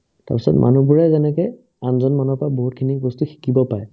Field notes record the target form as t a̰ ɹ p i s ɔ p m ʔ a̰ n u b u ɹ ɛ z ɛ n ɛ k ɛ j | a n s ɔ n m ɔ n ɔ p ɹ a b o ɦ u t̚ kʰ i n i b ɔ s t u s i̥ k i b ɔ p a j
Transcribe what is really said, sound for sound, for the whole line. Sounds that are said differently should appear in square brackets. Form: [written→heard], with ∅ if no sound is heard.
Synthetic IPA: t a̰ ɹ p i s ɔ [p→t] m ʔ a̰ n u b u ɹ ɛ z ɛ n ɛ k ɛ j | a n [s→z] ɔ n m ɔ n ɔ p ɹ a b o ɦ u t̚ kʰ i n i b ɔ s t u [s→x] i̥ k i b ɔ p a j

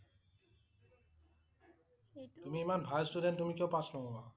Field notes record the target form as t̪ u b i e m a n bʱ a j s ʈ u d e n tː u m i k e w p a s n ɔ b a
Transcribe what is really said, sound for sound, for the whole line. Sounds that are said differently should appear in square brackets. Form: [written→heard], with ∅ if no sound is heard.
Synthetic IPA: t̪ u [b→m] i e m a n bʱ a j s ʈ u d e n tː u m i k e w p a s n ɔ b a

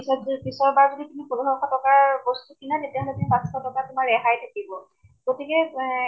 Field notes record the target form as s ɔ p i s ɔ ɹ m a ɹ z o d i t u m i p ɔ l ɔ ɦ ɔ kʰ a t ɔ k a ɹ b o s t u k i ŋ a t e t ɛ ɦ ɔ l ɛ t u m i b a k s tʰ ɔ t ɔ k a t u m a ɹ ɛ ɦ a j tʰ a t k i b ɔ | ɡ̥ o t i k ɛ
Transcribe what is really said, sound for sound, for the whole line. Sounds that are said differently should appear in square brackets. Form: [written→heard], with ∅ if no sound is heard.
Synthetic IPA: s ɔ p i s ɔ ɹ [m→b] a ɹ z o d i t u m i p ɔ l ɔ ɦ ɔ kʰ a t ɔ k a ɹ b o s t u k i [ŋ→n] a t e t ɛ ɦ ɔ l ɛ t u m i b a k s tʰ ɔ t ɔ k a t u m a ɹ ɛ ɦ a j tʰ a [t→∅] k i b ɔ | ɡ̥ o t i k ɛ

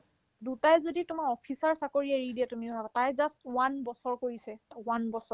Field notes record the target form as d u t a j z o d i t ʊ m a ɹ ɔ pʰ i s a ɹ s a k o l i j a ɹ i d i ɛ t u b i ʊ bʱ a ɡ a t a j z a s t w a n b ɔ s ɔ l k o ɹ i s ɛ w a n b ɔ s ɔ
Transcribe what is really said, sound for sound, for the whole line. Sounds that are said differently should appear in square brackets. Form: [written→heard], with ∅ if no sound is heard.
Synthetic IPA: d u t a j z o d i t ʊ m a ɹ ɔ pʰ i s a ɹ s a k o [l→ɹ] i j a ɹ i d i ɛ t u [b→m] i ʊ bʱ a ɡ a t a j z a s t w a n b ɔ s ɔ [l→ɹ] k o ɹ i s ɛ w a n b ɔ s ɔ

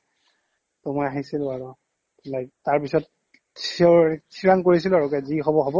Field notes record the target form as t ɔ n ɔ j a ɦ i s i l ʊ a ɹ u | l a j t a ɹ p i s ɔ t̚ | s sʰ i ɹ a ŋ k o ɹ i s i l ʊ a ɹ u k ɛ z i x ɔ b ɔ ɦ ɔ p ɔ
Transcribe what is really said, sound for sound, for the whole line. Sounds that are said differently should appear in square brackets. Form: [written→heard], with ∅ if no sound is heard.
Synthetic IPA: t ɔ [n→m] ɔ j a ɦ i s i l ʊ a ɹ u | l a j t a ɹ p i s ɔ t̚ | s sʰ i ɹ a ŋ k o ɹ i s i l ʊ a ɹ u k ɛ z i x ɔ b ɔ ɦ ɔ [p→b] ɔ

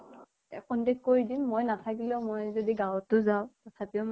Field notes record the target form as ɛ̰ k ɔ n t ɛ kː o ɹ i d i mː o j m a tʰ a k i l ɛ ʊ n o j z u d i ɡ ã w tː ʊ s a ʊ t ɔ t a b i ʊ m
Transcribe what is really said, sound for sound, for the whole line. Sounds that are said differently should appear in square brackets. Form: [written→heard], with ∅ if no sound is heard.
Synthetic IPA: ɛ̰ k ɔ n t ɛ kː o ɹ i d i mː o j [m→n] a tʰ a k i l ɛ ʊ [n→m] o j z [u→o] d i ɡ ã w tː ʊ [s→z] a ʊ t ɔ [t→tʰ] a [b→p] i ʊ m

